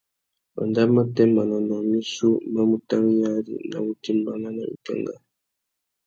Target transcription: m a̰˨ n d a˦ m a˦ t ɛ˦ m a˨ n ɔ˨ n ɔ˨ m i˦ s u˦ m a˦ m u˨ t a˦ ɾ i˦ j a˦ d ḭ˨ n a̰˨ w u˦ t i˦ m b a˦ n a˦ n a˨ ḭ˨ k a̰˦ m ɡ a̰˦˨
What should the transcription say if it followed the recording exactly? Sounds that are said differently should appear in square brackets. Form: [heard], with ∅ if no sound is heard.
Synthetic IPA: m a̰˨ n d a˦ m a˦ t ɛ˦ m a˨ n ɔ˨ n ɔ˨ m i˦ s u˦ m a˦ m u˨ t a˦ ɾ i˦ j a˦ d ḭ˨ n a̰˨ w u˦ t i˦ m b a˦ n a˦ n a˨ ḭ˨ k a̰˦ [ŋ] ɡ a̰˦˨

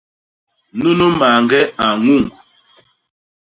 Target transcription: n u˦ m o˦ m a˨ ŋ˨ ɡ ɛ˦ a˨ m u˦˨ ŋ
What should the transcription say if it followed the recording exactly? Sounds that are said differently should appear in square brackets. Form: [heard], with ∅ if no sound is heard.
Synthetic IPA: n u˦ [n] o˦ m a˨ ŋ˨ ɡ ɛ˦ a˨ [ŋ] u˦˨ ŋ

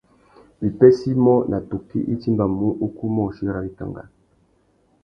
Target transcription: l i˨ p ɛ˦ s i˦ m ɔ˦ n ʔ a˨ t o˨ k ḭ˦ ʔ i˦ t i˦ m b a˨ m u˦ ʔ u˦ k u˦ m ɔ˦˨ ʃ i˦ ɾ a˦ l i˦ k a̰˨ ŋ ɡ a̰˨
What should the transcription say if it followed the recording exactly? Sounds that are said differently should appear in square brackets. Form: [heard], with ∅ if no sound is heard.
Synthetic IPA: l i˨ p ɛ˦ s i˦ m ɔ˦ n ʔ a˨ t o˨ k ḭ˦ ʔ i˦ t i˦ m b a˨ m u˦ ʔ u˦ k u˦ m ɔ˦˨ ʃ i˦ ɾ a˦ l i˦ k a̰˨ ŋ ɡ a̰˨

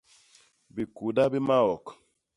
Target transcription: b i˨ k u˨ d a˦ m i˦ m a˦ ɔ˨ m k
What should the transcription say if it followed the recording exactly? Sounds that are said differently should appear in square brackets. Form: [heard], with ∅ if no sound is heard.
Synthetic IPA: b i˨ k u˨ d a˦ [b] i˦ m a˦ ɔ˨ [∅] k

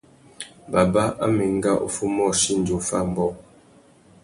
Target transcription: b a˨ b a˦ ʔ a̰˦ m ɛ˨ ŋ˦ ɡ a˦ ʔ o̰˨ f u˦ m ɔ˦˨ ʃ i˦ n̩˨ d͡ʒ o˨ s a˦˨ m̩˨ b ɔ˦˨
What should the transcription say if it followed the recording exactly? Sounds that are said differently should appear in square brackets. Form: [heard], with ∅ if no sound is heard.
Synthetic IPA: b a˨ b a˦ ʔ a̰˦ m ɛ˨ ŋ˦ ɡ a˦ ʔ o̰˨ f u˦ m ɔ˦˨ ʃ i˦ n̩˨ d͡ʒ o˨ [f] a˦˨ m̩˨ b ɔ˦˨

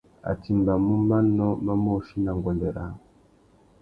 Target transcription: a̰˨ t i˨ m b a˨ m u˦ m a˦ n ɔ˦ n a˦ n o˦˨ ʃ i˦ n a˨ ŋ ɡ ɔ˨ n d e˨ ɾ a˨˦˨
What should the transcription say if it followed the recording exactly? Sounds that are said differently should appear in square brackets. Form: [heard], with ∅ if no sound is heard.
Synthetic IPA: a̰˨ t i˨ m b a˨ m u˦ m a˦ n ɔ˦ [m] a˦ [m] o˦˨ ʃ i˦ n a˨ ŋ ɡ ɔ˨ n d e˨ ɾ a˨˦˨

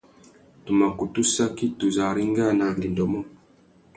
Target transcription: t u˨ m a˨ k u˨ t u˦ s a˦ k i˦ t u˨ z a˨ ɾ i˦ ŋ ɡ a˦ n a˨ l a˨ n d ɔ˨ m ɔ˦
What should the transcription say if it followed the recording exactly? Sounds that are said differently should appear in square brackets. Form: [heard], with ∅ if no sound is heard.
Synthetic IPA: t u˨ m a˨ k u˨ t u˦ s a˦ k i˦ t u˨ z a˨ ɾ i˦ ŋ ɡ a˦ n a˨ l [i˨] n d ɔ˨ m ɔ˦

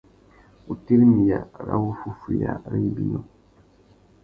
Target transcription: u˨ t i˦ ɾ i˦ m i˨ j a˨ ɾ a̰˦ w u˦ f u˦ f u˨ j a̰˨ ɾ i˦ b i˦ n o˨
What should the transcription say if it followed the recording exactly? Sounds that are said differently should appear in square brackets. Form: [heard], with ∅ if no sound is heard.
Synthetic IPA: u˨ t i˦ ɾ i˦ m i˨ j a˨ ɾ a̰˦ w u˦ f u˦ f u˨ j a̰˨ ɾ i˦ b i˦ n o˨

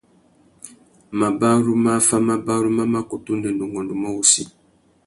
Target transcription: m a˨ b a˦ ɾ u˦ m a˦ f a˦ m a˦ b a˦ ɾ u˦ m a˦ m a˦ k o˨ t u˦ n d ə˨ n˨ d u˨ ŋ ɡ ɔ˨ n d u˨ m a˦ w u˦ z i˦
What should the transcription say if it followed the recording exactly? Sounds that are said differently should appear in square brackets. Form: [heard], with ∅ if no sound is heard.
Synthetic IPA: m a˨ b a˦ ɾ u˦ m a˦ f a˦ m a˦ b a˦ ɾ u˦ m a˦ m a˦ k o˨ t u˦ n d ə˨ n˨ d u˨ ŋ ɡ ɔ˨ n d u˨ m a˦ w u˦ [s] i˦

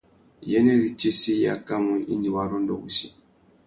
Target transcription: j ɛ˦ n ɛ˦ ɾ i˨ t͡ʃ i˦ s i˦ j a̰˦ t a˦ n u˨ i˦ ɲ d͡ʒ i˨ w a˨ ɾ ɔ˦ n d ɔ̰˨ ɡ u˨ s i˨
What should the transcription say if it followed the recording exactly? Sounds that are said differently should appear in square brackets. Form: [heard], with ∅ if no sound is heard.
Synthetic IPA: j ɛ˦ n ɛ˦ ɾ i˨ t͡ʃ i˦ s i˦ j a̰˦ [k] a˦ [m] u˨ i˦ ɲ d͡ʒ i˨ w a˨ ɾ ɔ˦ n d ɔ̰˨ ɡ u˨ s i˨

